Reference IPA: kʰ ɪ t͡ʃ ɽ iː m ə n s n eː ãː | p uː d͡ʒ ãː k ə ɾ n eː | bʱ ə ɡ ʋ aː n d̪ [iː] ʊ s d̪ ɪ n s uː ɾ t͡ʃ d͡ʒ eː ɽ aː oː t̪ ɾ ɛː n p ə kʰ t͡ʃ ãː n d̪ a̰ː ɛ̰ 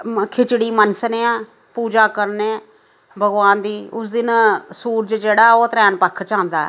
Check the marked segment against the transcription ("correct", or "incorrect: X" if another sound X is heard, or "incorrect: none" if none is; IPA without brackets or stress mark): correct